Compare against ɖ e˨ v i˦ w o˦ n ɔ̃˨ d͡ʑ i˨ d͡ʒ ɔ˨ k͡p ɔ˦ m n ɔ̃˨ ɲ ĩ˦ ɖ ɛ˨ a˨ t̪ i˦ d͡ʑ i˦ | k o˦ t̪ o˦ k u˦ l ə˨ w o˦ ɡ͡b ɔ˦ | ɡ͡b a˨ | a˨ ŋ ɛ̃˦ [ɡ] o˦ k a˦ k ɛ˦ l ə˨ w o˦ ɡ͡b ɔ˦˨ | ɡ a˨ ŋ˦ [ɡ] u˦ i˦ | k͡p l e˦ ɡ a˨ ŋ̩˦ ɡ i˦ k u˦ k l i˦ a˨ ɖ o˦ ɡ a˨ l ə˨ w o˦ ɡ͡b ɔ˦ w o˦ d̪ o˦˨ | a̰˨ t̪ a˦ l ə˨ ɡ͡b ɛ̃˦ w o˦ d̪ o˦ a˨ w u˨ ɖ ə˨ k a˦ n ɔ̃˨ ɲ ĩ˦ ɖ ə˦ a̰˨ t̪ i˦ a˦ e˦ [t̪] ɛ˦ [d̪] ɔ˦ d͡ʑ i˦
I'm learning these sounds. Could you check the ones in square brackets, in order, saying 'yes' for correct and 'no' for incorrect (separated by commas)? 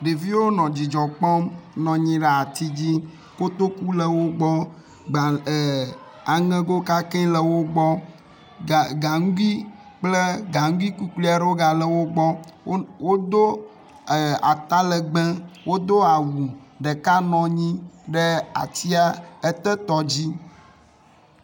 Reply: yes, yes, yes, no